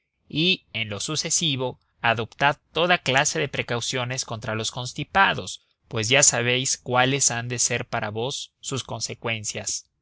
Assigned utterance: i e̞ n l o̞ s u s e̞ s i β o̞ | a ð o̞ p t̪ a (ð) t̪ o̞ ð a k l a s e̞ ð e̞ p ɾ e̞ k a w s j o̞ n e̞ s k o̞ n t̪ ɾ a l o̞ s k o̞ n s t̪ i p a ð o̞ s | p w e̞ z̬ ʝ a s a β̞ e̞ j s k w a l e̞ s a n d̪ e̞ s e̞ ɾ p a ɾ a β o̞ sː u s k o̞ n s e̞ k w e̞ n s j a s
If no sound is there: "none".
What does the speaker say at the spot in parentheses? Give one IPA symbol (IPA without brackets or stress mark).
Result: ð